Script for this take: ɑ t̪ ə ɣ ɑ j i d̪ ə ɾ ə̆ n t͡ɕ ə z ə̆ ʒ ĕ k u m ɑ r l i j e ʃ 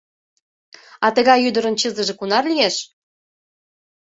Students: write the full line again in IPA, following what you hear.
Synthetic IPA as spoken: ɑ t̪ ə ɣ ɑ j y d̪ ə ɾ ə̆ n t͡ɕ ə z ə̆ ʒ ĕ k u n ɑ r l i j e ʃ